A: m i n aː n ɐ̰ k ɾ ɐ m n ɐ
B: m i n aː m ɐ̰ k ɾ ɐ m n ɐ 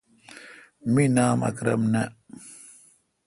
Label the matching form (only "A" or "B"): B